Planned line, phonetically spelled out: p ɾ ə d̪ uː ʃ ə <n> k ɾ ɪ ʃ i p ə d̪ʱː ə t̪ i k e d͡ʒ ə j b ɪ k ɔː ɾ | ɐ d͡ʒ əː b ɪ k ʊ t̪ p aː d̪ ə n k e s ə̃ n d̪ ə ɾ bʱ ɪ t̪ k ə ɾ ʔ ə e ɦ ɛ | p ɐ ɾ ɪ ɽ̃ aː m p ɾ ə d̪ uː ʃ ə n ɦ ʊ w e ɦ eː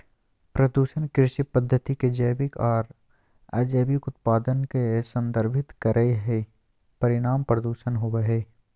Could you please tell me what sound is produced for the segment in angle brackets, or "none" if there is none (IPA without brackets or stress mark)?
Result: n